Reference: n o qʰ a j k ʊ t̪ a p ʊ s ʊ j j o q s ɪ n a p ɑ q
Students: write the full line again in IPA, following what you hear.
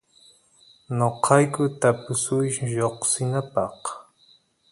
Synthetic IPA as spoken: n o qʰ ɑ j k ʊ t̪ a p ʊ s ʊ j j o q s ɪ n a p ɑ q